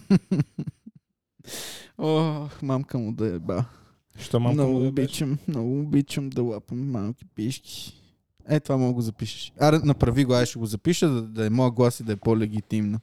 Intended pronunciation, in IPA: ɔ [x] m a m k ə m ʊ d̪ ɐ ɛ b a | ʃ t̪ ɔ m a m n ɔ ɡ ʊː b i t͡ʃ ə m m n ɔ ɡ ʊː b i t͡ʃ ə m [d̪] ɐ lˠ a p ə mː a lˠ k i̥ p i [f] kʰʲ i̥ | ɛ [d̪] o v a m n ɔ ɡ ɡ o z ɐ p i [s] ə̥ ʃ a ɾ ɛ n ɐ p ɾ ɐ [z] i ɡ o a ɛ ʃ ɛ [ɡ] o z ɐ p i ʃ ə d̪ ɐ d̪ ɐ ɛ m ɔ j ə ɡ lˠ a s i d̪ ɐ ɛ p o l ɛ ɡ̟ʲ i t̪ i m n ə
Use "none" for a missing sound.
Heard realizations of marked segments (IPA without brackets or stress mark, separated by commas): x, d̪, ʃ, t̪, ʃ, v, ɡ